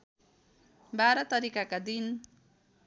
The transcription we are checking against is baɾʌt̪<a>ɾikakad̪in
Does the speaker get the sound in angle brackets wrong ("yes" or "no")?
yes